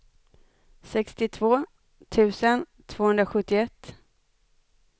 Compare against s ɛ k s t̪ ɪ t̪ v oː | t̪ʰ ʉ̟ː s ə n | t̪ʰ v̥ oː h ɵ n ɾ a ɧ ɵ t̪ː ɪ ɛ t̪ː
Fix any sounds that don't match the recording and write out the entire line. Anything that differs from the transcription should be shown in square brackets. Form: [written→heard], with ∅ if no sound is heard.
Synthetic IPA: s ɛ k s t̪ ɪ [t̪→t̪ʰ] v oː | t̪ʰ ʉ̟ː s ə n | t̪ʰ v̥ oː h ɵ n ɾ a ɧ ɵ t̪ː ɪ ɛ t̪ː